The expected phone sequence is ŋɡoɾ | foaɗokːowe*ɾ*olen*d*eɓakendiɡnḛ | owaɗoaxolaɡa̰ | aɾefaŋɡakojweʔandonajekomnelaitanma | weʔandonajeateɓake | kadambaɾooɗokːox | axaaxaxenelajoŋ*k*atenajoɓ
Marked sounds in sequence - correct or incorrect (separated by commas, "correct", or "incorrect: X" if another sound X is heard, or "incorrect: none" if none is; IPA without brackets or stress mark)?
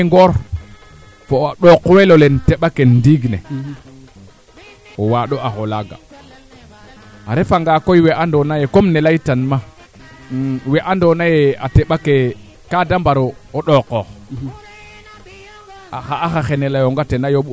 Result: incorrect: l, incorrect: t, incorrect: ɡ